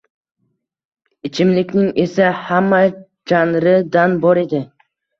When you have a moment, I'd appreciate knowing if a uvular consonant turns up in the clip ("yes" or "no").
no